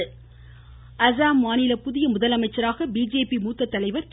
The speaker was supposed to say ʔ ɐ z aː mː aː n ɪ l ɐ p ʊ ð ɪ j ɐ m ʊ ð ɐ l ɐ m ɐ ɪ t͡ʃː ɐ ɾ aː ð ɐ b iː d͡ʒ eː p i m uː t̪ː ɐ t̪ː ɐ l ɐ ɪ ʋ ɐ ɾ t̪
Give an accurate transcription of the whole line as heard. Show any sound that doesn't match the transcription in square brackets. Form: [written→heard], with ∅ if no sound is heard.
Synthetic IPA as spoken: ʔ ɐ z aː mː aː n ɪ l ɐ p ʊ ð ɪ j ɐ m ʊ ð ɐ l ɐ m ɐ ɪ t͡ʃː ɐ ɾ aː [ð→ɣ] ɐ b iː d͡ʒ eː p i m uː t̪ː ɐ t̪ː ɐ l ɐ ɪ ʋ ɐ ɾ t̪